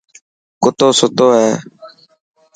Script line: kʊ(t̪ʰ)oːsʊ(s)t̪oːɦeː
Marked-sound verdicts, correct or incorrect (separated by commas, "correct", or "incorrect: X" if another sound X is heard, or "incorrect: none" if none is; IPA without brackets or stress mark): incorrect: t̪, incorrect: none